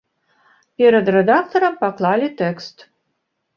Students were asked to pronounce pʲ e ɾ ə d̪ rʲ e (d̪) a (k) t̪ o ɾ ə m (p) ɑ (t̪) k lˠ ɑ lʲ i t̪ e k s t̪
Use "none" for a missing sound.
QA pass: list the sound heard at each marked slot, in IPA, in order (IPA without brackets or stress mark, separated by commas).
d̪, k, p, none